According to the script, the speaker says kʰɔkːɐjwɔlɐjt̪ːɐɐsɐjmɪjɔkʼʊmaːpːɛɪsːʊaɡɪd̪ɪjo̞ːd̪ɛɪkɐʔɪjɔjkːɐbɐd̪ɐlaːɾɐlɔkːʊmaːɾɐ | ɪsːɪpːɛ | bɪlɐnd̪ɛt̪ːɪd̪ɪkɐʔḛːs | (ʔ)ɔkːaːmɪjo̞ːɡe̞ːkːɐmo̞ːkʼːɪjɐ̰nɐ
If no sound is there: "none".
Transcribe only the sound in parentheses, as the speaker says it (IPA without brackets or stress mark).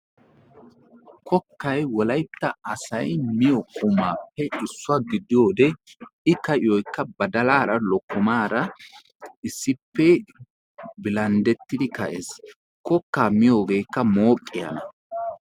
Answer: k